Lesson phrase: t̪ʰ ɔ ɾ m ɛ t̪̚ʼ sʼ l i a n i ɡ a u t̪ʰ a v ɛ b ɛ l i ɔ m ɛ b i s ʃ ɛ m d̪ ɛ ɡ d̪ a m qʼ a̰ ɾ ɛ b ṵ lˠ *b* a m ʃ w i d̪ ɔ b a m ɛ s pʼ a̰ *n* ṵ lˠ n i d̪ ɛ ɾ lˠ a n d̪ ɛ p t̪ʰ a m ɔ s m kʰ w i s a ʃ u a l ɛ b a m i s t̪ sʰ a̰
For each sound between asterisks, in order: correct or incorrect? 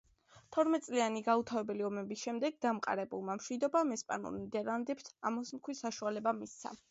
incorrect: m, correct

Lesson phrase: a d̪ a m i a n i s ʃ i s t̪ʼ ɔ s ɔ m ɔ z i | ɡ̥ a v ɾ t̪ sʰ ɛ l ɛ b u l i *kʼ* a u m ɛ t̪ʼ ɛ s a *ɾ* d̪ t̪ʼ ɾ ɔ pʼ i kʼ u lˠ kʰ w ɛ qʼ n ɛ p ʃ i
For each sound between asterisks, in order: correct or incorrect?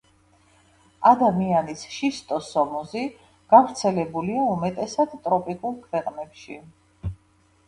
incorrect: none, incorrect: none

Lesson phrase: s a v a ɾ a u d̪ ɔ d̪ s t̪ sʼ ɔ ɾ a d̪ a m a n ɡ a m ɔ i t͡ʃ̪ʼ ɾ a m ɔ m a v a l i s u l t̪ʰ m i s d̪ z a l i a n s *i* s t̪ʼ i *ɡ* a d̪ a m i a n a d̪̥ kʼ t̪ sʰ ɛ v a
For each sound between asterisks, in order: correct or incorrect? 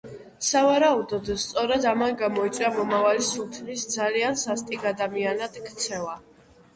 incorrect: a, correct

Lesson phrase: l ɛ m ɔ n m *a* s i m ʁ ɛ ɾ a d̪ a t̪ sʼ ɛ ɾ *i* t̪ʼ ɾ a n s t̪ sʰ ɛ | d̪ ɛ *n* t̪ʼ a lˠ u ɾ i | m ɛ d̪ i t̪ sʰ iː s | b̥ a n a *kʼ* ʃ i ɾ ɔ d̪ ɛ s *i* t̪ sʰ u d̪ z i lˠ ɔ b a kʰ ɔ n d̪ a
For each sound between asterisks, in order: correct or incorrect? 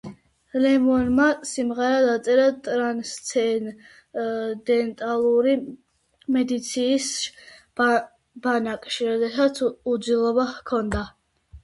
correct, incorrect: a, correct, correct, incorrect: a

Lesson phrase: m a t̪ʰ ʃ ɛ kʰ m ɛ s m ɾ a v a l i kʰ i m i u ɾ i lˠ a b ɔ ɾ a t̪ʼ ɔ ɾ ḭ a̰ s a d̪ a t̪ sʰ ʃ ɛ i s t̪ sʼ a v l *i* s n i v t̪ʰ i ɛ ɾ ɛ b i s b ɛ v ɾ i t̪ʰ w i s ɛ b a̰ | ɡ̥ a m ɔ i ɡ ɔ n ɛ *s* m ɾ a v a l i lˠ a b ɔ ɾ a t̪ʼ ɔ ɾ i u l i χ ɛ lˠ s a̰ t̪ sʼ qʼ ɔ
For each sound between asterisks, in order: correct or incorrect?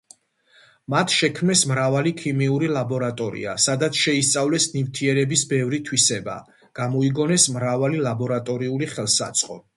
incorrect: ɛ, correct

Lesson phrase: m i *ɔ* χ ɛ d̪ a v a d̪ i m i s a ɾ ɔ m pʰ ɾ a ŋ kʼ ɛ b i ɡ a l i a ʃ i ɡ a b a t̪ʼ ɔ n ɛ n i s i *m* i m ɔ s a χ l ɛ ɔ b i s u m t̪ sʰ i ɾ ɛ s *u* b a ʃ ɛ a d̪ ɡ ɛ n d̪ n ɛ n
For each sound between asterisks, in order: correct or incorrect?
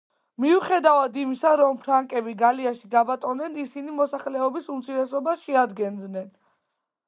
incorrect: u, incorrect: n, incorrect: ɔ

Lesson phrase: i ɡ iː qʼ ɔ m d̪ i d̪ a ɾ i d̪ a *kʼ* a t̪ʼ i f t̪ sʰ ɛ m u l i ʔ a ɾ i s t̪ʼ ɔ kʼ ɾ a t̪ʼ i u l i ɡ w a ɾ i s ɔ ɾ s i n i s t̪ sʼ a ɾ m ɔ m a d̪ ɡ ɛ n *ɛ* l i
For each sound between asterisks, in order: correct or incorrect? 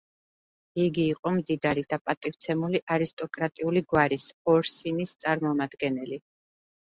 incorrect: pʼ, correct

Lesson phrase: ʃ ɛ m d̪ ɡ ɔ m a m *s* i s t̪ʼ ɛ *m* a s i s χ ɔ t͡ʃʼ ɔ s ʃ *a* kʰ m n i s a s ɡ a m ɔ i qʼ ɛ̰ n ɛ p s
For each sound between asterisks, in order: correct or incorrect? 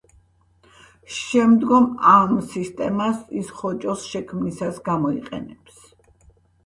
correct, correct, incorrect: ɛ

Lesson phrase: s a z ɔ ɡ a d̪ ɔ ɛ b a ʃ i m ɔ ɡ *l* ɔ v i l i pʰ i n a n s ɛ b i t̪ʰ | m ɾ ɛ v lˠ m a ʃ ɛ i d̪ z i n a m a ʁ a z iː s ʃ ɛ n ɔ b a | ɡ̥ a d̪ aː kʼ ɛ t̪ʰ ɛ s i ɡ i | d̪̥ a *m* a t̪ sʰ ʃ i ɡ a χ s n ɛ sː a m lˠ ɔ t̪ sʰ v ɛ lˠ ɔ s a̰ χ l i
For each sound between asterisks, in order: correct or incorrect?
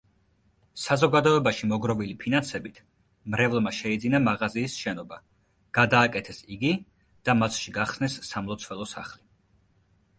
incorrect: ɾ, correct

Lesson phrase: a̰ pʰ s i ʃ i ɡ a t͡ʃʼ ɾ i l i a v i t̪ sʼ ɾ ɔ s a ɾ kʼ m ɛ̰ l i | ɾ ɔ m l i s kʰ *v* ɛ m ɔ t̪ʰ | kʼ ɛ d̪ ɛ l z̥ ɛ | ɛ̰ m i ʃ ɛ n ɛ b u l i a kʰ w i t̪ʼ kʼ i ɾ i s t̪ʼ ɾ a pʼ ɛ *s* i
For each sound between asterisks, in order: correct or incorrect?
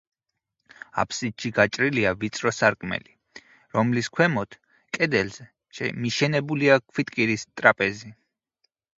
incorrect: w, incorrect: z

